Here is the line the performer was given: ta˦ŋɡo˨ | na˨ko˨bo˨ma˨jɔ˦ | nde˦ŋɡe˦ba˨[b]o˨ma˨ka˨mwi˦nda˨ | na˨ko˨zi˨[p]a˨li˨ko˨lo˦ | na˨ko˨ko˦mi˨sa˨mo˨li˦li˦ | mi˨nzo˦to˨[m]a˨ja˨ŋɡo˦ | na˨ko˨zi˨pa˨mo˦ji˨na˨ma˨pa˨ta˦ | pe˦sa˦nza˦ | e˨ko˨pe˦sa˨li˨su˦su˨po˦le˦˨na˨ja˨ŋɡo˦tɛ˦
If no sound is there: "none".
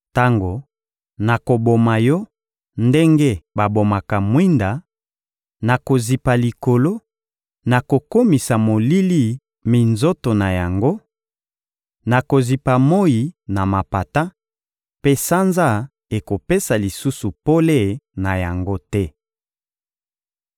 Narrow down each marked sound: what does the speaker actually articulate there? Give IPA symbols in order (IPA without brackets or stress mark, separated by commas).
b, p, n